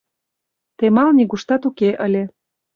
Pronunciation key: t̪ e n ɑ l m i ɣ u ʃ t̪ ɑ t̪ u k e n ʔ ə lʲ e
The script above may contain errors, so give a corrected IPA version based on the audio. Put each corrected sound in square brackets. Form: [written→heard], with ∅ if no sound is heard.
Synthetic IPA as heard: t̪ e [n→m] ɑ l [m→n] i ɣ u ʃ t̪ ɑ t̪ u k e [n→∅] ʔ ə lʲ e